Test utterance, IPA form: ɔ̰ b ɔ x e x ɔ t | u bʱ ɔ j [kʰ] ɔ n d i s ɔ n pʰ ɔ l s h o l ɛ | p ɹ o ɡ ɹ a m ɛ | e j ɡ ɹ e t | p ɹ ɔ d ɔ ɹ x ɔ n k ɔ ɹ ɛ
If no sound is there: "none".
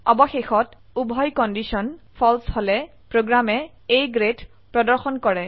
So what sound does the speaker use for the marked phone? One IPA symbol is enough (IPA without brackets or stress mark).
k